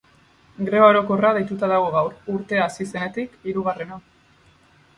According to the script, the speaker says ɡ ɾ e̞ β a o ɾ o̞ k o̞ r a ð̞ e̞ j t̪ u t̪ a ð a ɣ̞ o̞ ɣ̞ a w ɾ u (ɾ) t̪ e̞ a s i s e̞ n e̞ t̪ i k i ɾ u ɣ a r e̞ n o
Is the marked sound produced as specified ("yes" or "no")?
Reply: yes